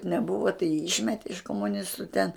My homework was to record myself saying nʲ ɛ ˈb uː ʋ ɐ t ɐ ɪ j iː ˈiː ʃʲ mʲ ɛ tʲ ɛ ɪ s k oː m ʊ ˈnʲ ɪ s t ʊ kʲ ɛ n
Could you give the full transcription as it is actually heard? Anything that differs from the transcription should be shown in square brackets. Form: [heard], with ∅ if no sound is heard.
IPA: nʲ ɛ ˈb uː ʋ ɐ t ɐ ɪ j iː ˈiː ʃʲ mʲ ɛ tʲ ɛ ɪ [ʃ] k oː m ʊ ˈnʲ ɪ s t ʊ [tʲ] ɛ n